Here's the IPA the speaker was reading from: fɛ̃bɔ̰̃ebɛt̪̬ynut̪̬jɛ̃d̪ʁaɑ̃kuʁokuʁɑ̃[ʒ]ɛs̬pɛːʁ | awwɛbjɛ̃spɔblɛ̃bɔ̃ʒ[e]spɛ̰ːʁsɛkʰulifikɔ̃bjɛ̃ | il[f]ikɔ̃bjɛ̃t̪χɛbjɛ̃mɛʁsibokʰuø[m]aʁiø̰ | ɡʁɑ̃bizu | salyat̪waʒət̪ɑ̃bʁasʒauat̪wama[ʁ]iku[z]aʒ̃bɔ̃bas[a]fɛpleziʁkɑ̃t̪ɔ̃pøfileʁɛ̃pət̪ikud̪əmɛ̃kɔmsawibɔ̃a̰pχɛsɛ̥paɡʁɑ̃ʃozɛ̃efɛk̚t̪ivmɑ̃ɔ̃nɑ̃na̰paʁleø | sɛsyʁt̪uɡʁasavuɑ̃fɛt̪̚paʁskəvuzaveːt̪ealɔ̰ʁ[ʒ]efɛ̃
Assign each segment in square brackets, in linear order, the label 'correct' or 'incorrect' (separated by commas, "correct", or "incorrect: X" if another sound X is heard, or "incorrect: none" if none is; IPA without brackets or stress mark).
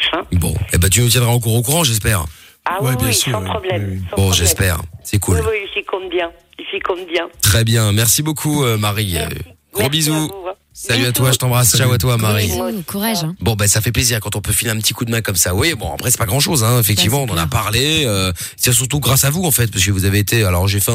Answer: correct, incorrect: ɛ, correct, correct, correct, incorrect: ʁ, correct, correct